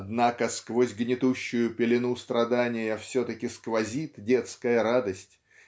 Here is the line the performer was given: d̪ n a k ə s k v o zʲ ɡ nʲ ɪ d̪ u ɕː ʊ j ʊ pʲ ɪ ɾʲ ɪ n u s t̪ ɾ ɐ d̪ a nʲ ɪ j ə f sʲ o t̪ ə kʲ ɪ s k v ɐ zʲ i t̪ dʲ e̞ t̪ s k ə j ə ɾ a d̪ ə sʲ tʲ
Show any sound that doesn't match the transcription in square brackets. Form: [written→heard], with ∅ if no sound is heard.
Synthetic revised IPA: d̪ n a k ə s k v o zʲ ɡ nʲ ɪ [d̪→t̪] u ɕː ʊ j ʊ pʲ ɪ [ɾʲ→lʲ] ɪ n u s t̪ ɾ ɐ d̪ a nʲ ɪ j ə f sʲ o t̪ ə kʲ ɪ s k v ɐ zʲ i t̪ dʲ e̞ t̪ s k ə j ə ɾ a d̪ ə sʲ tʲ